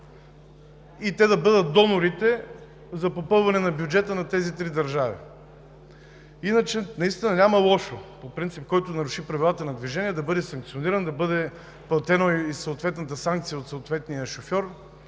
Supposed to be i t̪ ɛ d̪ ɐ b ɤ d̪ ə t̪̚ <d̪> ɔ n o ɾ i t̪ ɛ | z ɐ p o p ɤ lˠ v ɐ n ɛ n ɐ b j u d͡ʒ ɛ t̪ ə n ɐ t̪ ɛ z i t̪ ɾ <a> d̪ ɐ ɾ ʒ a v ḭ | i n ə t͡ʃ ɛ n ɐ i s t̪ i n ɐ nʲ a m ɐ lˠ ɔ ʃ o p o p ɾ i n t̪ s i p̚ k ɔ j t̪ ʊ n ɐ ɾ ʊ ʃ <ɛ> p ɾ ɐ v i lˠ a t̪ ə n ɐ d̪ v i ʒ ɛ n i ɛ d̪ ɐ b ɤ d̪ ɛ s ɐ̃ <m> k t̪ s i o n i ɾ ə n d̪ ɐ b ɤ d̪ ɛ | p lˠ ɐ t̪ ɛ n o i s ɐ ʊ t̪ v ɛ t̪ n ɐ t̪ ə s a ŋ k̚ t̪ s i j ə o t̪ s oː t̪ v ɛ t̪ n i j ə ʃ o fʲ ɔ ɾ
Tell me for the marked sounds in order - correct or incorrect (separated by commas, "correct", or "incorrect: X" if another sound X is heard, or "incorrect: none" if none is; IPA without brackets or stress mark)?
correct, incorrect: i, incorrect: i, incorrect: ŋ